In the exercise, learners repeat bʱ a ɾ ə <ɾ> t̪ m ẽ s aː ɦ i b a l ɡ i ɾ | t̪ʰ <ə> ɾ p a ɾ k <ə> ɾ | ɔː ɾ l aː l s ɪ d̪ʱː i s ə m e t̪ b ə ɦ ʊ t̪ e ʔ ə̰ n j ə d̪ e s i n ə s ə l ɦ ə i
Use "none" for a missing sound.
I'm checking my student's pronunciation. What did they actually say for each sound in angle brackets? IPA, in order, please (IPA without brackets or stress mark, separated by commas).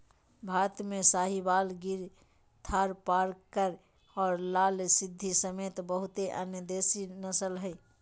none, a, ə